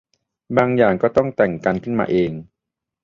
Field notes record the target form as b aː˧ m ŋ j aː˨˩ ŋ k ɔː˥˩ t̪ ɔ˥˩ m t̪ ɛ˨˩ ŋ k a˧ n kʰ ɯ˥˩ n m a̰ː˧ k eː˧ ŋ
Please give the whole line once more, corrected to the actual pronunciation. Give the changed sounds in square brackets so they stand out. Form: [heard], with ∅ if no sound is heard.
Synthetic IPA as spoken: b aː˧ [∅] ŋ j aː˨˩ ŋ k ɔː˥˩ t̪ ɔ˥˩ [ŋ] t̪ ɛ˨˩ ŋ k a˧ n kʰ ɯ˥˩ n m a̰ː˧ [ʔ] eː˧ ŋ